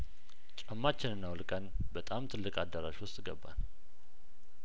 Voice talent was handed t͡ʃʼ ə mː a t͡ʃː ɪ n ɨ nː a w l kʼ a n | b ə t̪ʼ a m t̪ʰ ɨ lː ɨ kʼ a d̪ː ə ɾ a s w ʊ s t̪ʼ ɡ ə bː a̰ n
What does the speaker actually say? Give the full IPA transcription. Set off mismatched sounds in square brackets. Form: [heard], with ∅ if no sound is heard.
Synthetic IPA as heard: t͡ʃʼ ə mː a t͡ʃː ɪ n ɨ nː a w l kʼ [ə] n | b ə t̪ʼ a m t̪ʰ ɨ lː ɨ kʼ a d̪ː ə ɾ a [ʃ] w ʊ s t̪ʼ ɡ ə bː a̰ n